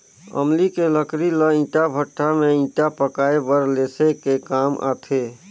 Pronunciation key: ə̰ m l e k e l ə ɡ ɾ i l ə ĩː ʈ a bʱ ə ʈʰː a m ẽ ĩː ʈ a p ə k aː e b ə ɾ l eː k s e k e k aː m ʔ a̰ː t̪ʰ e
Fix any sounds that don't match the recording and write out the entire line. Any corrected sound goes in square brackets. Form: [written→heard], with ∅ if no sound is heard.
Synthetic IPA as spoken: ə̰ m l [e→i] k e l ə [ɡ→k] ɾ i l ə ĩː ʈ a bʱ ə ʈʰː a m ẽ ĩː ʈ a p ə k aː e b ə ɾ l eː [k→∅] s e k e k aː m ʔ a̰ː t̪ʰ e

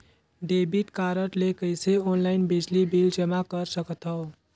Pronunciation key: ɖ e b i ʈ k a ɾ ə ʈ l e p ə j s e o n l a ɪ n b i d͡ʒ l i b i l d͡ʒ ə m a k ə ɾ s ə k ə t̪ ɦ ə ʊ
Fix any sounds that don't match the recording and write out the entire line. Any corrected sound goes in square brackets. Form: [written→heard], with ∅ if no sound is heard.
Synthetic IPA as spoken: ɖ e b i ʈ k a ɾ ə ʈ l e [p→k] ə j s e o n l a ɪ n b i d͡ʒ l i b i l d͡ʒ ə m a k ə ɾ s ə k ə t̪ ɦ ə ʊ

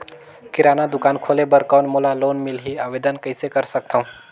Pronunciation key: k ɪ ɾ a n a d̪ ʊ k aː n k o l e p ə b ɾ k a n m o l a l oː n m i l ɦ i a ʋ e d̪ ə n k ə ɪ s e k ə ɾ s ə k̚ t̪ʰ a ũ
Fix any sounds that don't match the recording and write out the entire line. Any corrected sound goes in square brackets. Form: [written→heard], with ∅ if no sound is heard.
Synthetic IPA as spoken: k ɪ ɾ a n a d̪ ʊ k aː n [k→kʰ] o l e [p→b] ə [b→∅] ɾ k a n m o l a l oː n m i l ɦ i a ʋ e d̪ ə n k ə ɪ s e k ə ɾ s ə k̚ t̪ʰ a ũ

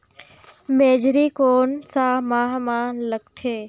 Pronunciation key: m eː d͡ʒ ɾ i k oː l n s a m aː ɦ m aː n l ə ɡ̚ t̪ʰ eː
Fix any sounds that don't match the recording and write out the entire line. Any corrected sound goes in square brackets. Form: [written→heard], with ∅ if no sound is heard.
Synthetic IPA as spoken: m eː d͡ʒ ɾ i k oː [l→∅] n s a m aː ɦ m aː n l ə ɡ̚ t̪ʰ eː

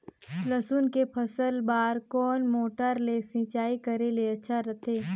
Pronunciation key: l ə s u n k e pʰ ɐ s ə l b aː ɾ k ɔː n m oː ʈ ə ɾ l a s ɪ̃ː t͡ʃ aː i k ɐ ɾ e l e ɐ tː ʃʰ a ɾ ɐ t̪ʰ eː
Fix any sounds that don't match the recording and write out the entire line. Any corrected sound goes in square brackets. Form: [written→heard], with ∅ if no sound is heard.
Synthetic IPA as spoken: l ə s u n k e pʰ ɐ s ə l b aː ɾ k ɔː n m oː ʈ ə ɾ l [a→e] s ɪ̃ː t͡ʃ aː i k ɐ ɾ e l e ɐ tː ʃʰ a ɾ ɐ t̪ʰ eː

